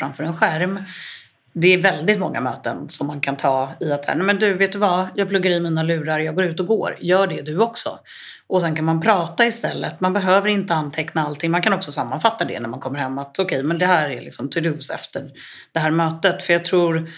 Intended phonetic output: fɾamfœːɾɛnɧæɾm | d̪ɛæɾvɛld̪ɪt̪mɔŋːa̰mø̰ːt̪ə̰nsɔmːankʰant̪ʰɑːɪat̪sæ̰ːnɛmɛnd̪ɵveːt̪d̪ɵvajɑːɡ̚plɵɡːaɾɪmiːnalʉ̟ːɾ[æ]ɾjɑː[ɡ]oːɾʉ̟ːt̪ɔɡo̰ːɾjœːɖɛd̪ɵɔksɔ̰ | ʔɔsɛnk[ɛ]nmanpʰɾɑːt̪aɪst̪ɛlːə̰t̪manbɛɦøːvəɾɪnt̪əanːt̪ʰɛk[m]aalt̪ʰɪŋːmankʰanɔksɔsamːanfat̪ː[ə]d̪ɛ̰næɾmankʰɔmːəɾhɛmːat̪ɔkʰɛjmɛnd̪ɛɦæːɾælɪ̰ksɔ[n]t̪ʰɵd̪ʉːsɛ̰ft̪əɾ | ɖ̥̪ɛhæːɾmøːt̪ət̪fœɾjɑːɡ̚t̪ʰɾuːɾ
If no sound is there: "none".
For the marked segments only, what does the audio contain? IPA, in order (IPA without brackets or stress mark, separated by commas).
a, ɡ, a, n, a, m